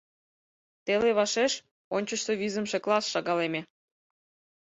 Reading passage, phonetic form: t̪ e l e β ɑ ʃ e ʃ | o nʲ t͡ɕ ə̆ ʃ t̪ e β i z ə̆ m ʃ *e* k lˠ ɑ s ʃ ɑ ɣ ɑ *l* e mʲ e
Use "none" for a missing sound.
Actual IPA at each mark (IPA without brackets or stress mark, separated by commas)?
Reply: e, l